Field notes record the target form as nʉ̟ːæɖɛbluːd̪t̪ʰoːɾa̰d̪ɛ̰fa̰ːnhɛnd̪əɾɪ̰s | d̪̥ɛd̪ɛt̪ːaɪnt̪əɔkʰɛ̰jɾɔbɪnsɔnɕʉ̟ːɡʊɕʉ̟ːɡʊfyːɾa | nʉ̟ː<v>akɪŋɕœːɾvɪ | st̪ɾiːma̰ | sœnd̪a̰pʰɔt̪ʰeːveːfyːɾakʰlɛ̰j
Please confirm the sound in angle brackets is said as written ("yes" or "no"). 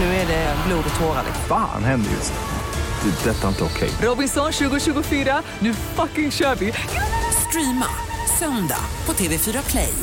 no